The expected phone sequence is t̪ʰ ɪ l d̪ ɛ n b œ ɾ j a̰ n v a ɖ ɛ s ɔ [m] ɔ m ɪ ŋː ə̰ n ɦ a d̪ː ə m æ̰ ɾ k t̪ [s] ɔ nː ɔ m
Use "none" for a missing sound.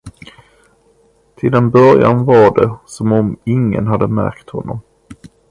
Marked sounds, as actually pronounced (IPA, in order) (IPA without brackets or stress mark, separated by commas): m, h